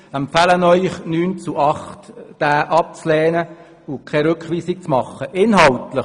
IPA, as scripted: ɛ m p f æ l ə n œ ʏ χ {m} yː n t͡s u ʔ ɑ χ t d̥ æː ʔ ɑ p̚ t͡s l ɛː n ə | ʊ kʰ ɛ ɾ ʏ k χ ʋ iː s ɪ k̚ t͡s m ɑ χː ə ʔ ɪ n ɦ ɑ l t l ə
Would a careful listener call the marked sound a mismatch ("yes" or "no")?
yes